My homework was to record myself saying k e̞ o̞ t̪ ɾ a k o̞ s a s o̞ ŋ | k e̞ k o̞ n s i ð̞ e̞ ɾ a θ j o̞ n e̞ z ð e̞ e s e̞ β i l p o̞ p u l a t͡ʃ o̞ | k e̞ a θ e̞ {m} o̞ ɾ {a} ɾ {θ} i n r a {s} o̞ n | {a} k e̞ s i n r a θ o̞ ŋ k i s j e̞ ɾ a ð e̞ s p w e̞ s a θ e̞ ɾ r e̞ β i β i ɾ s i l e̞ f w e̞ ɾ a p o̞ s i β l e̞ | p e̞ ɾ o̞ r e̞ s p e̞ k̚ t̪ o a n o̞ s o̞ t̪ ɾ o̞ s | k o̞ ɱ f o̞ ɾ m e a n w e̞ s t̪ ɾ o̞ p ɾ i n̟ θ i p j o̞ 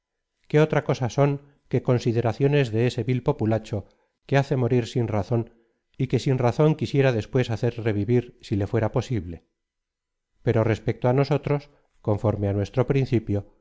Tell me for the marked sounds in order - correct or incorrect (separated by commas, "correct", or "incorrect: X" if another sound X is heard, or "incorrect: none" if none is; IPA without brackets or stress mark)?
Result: correct, incorrect: i, incorrect: s, incorrect: θ, incorrect: i